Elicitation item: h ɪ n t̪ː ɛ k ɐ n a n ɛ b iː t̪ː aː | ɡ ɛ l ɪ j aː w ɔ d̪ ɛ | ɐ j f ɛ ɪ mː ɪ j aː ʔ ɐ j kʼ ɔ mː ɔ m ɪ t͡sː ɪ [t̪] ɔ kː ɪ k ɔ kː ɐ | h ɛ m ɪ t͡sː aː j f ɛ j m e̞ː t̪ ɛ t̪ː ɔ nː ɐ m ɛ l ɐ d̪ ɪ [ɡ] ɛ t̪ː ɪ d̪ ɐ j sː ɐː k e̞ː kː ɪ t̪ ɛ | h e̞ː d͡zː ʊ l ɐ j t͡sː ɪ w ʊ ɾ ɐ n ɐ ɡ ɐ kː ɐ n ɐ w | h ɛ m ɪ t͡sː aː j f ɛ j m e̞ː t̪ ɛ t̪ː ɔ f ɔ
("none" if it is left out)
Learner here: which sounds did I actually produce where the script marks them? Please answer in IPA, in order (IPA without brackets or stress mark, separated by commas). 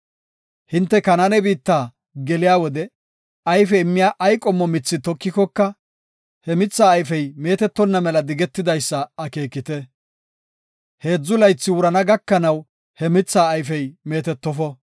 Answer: t̪, ɡ